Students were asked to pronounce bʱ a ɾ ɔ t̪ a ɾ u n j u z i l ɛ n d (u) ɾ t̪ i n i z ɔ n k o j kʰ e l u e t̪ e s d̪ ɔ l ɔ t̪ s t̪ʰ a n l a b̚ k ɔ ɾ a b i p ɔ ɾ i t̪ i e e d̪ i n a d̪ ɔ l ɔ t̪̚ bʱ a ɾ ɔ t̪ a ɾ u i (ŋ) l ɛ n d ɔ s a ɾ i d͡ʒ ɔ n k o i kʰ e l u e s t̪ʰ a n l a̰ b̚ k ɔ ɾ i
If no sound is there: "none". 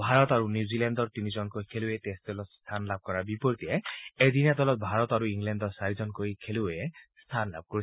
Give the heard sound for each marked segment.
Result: ɔ, ŋ

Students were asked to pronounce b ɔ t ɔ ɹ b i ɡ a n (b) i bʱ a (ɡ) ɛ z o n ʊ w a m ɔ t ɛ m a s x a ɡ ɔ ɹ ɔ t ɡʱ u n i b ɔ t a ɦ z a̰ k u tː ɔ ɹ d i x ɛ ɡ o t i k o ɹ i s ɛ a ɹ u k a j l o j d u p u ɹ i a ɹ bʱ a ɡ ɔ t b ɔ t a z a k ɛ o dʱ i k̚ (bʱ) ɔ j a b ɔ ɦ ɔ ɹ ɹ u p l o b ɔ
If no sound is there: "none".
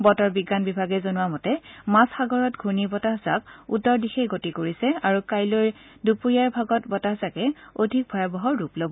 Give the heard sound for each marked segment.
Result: b, ɡ, bʱ

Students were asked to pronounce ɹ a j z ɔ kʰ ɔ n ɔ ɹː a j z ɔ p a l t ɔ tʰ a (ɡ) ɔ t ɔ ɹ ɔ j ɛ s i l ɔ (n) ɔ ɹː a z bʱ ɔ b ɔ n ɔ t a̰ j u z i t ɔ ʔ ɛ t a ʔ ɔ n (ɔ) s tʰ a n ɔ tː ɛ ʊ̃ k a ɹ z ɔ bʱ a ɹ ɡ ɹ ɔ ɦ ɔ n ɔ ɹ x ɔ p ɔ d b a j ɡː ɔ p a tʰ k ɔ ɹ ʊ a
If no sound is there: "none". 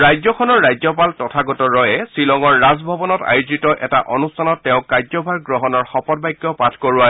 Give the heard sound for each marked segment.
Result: ɡ, ŋ, u

